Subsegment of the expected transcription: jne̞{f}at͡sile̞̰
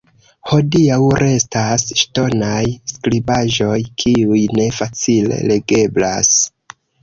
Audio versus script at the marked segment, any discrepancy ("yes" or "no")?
no